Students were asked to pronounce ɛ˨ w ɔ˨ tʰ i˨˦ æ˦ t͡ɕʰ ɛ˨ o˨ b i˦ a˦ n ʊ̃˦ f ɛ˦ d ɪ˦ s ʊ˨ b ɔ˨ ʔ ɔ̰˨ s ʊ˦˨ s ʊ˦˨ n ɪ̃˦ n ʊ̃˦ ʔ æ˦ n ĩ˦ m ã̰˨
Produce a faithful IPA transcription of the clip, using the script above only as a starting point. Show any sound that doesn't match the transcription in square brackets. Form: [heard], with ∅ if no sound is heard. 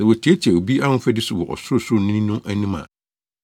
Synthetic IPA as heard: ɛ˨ w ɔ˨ tʰ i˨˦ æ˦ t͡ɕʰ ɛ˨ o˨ b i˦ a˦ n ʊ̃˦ f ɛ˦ d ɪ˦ s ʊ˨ [w] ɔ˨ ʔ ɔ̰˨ s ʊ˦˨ s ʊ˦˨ n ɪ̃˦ n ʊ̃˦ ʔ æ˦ n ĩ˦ m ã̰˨